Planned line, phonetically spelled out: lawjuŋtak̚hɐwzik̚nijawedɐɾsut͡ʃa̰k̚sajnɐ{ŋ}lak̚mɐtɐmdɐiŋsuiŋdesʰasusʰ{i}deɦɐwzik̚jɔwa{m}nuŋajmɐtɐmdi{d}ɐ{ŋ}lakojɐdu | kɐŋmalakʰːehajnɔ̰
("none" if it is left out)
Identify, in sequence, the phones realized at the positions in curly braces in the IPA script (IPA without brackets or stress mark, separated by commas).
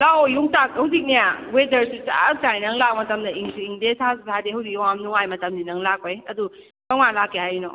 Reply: ŋ, a, m, n, ŋ